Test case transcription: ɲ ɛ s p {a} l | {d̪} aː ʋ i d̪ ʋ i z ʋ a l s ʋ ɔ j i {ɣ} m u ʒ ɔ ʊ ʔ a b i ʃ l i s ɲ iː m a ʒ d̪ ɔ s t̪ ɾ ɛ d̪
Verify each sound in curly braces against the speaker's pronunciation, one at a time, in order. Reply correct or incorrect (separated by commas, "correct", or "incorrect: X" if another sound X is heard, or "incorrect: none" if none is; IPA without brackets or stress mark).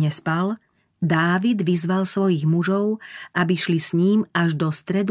correct, correct, correct